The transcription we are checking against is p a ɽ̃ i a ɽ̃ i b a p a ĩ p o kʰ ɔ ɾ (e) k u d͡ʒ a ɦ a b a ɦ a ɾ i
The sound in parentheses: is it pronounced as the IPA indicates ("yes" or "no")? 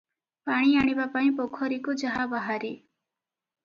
no